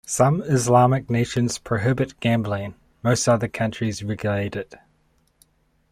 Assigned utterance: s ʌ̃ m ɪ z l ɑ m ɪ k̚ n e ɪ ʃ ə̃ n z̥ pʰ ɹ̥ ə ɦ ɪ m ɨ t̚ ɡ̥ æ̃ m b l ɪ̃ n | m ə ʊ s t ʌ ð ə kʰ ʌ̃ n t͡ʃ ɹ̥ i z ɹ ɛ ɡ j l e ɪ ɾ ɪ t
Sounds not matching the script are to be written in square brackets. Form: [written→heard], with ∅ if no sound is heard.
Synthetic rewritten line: s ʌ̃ m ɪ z l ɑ m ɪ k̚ n e ɪ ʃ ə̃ n z̥ pʰ ɹ̥ ə ɦ ɪ [m→b] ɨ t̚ ɡ̥ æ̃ m b l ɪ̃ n | m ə ʊ s t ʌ ð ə kʰ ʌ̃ n t͡ʃ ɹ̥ i z ɹ ɛ ɡ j l e ɪ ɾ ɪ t

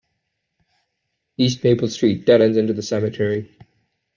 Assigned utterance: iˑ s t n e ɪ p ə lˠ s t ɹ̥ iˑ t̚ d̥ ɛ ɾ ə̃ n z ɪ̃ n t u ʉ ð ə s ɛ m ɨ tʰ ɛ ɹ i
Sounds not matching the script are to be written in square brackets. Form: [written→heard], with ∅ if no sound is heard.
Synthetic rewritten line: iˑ s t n e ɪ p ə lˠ s t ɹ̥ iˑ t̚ d̥ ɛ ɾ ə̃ n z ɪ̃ n t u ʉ ð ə s ɛ m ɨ tʰ ɛ ɹ i

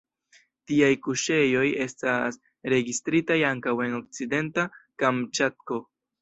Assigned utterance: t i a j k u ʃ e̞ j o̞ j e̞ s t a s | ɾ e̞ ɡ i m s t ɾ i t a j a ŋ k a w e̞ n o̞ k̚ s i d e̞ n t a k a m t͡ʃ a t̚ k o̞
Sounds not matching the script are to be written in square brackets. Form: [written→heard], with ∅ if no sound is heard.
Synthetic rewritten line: t i a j k u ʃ e̞ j o̞ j e̞ s t a s | ɾ e̞ ɡ i [m→∅] s t ɾ i t a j a ŋ k a w e̞ n o̞ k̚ [s→t͡s] i d e̞ n t a k a m t͡ʃ a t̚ k o̞

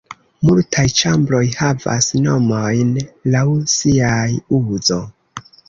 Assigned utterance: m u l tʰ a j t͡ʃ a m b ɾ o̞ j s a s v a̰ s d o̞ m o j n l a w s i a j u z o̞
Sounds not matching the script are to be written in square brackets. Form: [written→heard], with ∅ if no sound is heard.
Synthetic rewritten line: m u l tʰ a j t͡ʃ a m b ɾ o̞ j [s→h] a [s→∅] v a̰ s [d→n] o̞ m o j n l a w s i a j u z o̞

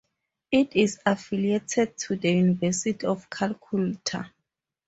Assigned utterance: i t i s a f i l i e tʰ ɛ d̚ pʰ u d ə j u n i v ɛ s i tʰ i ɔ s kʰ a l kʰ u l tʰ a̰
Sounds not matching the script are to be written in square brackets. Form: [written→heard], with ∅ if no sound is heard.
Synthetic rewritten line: i t i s a f i l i e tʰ ɛ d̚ [pʰ→tʰ] u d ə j u n i v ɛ s i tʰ i ɔ [s→f] kʰ a l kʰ u l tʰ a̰

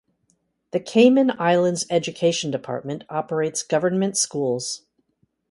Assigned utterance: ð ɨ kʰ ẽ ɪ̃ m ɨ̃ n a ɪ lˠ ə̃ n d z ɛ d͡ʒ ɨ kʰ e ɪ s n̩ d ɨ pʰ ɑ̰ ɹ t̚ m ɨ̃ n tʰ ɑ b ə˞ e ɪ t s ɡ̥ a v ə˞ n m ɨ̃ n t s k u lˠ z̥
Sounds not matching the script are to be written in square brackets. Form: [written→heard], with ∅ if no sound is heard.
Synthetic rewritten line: ð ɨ kʰ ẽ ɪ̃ m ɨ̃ n a ɪ lˠ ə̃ n d z ɛ d͡ʒ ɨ kʰ e ɪ [s→ʃ] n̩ d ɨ pʰ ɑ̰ ɹ t̚ m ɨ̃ n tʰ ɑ [b→p] ə˞ e ɪ t s ɡ̥ [a→ʌ] v ə˞ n m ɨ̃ n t s k u lˠ z̥

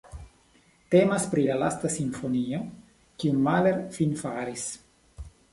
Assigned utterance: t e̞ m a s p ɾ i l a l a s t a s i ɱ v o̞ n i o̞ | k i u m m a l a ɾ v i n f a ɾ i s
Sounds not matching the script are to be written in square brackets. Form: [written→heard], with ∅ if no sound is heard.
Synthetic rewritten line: t e̞ m a s p ɾ i l a l a s t a s i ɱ [v→f] o̞ n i o̞ | k i u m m a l [a→e] ɾ [v→f] i n f a ɾ i s

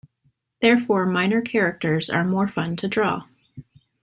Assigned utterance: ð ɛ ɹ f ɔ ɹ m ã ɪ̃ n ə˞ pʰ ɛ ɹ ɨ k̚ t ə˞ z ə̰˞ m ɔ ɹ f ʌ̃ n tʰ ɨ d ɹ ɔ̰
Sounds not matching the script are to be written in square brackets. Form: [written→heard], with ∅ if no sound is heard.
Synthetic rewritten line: ð ɛ ɹ f ɔ ɹ m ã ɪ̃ n ə˞ [pʰ→kʰ] ɛ ɹ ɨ k̚ t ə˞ z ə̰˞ m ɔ ɹ f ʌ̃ n tʰ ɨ d ɹ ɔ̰

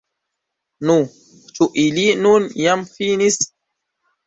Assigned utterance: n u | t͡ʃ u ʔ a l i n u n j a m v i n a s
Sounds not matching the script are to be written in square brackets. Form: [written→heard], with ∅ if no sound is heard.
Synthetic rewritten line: n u | t͡ʃ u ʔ [a→i] l i n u n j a m [v→f] i n [a→i] s

